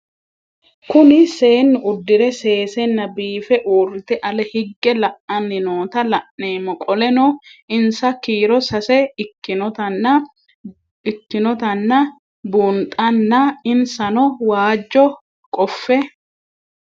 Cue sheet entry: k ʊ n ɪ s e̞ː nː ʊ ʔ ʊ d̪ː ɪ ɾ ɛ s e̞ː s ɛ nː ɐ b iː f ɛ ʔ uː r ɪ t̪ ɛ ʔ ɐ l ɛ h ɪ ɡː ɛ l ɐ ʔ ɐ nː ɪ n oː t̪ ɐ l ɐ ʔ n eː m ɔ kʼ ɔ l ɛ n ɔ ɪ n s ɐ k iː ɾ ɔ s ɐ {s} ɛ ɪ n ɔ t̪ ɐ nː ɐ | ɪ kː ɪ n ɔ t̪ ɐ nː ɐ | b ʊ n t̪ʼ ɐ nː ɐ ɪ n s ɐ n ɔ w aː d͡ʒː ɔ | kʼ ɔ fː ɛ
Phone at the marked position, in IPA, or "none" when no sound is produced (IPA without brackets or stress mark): s